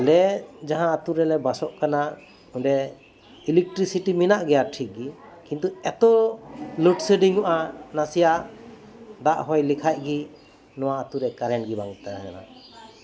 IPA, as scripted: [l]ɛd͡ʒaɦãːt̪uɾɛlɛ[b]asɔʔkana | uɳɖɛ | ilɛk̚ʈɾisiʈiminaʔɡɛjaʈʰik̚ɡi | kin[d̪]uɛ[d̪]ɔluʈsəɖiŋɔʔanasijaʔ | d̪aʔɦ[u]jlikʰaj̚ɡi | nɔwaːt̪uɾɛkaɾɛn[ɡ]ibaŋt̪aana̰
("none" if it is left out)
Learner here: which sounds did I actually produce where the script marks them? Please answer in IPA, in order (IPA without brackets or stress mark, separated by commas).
l, b, t̪, t̪, ɔ, ɡ